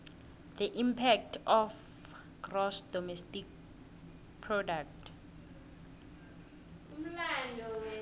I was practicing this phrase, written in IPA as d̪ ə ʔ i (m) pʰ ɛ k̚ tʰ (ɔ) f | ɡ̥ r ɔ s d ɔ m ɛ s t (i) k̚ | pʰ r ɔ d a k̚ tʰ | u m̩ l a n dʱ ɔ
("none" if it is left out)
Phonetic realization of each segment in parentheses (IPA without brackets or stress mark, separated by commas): m, ɔ, i